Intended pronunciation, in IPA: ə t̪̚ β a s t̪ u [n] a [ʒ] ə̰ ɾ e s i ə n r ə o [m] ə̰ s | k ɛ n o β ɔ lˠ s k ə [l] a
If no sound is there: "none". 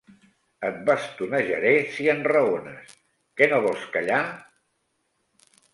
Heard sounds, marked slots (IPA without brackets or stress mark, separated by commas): n, ʒ, n, ʎ